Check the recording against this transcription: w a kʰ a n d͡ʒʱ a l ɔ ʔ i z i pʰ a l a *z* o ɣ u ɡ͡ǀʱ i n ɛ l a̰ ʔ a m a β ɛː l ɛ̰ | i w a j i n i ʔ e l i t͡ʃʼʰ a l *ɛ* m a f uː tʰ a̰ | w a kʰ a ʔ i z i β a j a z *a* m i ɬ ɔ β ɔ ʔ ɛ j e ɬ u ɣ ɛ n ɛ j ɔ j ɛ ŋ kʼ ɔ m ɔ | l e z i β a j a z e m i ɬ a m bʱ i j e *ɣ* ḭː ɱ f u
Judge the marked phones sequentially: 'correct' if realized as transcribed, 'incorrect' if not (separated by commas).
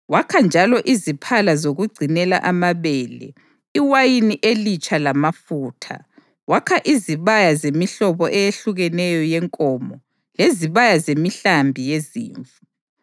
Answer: correct, incorrect, incorrect, incorrect